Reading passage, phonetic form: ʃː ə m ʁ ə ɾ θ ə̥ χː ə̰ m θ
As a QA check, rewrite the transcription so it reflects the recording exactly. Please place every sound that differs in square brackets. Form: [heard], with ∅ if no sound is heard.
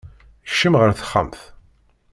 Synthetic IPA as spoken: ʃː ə m ʁ ə ɾ θ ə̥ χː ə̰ m θ